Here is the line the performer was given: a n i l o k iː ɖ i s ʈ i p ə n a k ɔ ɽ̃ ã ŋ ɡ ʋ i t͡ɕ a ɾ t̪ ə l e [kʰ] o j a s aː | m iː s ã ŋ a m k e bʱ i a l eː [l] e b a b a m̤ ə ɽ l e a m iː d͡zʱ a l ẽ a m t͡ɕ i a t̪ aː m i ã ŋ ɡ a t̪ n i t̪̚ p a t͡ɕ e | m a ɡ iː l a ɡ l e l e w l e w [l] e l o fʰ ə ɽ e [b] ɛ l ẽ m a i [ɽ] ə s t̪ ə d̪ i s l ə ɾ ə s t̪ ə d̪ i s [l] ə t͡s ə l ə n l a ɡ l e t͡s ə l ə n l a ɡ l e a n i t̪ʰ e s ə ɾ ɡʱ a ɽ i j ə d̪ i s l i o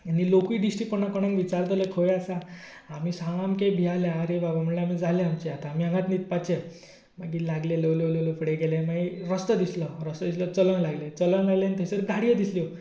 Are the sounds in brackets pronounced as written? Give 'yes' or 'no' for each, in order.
yes, no, yes, no, no, yes

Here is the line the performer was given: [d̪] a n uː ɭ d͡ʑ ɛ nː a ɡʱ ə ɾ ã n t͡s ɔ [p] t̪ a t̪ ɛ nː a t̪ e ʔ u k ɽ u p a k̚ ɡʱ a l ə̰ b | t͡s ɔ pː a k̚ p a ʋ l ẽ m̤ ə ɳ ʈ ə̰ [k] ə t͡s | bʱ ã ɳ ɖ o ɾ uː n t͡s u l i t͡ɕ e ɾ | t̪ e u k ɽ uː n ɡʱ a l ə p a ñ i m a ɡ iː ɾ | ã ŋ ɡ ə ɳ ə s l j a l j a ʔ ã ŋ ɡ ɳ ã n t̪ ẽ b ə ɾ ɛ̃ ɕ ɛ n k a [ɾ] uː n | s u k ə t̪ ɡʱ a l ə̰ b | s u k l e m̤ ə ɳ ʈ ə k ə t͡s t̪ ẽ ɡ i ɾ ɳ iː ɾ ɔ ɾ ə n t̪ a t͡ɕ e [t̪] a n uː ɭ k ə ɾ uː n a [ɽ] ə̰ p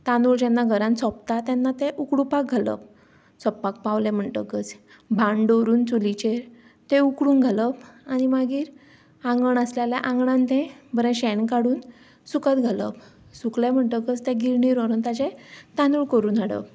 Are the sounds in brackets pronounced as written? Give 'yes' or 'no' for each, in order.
no, yes, yes, no, yes, yes

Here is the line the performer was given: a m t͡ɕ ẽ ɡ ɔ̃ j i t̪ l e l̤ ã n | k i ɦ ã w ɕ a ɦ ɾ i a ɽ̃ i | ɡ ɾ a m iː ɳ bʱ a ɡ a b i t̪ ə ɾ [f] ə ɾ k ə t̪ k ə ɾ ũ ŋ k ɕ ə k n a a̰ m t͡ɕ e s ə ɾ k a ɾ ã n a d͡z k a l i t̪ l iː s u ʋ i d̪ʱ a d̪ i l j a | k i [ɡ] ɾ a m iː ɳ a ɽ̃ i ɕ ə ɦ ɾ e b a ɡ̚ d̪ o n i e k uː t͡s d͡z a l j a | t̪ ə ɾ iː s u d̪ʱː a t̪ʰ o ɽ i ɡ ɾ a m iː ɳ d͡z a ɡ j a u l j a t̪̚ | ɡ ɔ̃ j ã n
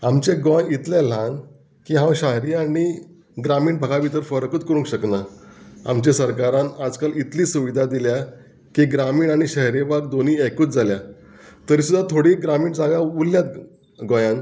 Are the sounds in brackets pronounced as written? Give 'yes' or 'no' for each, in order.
yes, yes

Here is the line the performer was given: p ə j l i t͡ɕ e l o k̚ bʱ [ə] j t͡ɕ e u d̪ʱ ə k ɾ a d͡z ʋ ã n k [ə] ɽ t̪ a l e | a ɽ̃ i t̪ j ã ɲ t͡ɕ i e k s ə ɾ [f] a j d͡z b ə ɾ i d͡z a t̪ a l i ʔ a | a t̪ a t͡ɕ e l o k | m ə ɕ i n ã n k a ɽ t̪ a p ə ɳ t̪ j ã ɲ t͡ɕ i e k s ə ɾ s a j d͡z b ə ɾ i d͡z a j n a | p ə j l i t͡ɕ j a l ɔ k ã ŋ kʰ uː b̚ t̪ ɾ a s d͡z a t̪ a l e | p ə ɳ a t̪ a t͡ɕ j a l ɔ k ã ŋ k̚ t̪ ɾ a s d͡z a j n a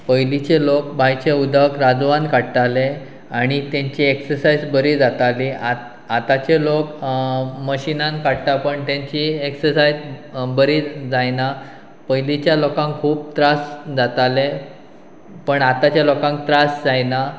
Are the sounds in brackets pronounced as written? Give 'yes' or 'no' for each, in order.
no, no, no

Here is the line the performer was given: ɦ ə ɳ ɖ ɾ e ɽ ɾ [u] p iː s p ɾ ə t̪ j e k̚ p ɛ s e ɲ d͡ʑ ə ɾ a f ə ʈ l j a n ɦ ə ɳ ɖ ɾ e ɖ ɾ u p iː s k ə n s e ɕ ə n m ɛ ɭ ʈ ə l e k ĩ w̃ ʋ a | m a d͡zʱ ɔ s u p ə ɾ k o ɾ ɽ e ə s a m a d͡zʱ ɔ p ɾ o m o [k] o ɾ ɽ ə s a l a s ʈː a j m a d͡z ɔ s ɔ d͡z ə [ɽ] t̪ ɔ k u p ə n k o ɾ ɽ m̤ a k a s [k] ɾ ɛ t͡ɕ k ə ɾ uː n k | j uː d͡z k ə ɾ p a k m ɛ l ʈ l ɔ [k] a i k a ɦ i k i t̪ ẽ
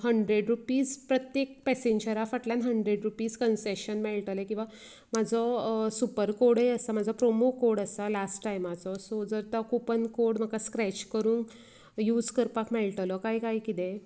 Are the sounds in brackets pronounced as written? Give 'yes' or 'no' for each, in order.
yes, yes, no, yes, yes

